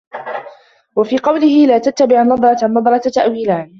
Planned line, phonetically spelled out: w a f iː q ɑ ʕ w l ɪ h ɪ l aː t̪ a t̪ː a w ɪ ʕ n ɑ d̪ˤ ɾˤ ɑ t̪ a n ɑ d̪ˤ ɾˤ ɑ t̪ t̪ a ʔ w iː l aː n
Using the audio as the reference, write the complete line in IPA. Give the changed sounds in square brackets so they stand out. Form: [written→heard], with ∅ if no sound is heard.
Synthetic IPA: w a f iː q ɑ [ʕ→∅] w l ɪ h ɪ l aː t̪ a t̪ː a [w→b] ɪ ʕ n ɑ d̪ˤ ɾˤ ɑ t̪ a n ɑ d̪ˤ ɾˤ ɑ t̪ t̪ a ʔ w iː l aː n